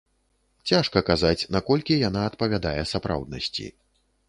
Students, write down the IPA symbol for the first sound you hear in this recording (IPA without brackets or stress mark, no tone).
t͡sʲ